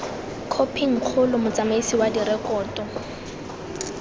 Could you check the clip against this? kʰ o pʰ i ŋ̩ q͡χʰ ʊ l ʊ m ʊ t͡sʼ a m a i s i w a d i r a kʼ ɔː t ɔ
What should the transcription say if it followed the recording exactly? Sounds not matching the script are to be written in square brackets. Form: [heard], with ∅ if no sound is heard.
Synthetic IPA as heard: kʰ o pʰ i ŋ̩ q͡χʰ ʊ l ʊ m ʊ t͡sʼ a m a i s i w a d i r [ɛ] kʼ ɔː t ɔ